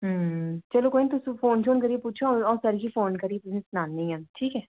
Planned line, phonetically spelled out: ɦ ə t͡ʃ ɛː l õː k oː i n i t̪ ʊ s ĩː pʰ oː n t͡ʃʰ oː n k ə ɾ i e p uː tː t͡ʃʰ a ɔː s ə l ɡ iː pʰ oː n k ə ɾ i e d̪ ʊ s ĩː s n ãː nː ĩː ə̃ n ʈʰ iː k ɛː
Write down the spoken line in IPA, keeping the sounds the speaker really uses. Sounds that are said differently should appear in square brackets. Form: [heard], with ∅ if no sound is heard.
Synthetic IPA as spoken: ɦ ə t͡ʃ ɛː l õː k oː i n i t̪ ʊ s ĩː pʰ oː n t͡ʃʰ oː n k ə ɾ i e p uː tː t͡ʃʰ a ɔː s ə [ɾ] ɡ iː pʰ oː n k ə ɾ i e [t̪] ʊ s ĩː s n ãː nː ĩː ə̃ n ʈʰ iː k ɛː